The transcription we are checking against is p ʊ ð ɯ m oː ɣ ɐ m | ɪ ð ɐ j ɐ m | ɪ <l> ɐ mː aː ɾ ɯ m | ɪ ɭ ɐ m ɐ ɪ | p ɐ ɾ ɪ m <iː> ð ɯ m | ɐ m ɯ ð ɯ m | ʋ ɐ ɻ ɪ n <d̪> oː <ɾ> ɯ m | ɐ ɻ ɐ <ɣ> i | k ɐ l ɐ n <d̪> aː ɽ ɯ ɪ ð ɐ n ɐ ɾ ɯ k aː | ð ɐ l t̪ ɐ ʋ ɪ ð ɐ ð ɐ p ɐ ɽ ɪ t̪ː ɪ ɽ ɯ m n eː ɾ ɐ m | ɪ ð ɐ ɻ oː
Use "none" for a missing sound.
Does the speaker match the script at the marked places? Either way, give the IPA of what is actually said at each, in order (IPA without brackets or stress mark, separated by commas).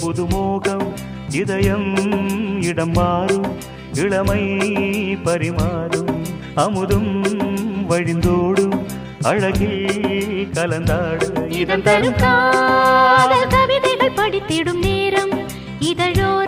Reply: ɽ, aː, d̪, ɽ, ɣ, d̪